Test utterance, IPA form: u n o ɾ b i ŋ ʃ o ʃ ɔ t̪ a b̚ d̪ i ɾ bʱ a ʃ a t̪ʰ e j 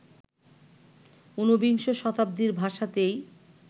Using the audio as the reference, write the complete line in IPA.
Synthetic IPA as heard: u n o b i ŋ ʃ o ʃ ɔ t̪ a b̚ d̪ i ɾ bʱ a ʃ a t̪ e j

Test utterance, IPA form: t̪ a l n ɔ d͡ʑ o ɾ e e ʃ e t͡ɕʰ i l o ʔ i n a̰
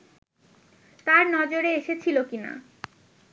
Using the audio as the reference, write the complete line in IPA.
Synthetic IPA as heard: t̪ a ɾ n ɔ d͡ʑ o ɾ e e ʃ e t͡ɕʰ i l o k i n a̰

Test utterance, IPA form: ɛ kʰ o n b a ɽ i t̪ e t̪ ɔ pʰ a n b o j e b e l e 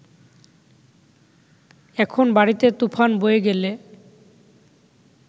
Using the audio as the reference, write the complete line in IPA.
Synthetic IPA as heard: ɛ kʰ o n b a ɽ i t̪ e t̪ u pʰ a n b o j e ɡ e l e

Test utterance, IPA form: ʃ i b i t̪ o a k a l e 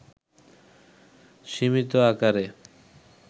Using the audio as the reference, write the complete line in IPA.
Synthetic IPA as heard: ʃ i m i t̪ o a k a ɾ e

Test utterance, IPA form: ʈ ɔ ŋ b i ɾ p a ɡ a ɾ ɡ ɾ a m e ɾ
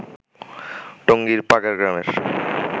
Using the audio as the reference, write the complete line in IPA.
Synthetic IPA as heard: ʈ o ŋ ɡ i ɾ p a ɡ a ɾ ɡ ɾ a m e ɾ

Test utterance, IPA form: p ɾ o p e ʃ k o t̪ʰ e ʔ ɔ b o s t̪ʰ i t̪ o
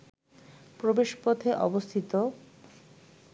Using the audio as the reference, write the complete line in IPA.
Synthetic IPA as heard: p ɾ o b e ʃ p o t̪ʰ e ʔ ɔ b o s t̪ʰ i t̪ o

